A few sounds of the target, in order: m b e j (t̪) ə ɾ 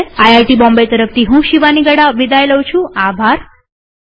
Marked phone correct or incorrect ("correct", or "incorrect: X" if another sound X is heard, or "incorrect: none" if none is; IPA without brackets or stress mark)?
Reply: correct